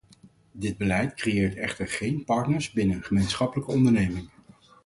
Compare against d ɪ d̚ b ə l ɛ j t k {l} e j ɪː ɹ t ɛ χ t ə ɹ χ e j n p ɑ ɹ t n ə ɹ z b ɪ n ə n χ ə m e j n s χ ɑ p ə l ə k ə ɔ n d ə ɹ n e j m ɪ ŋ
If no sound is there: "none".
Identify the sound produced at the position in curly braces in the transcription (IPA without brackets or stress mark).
r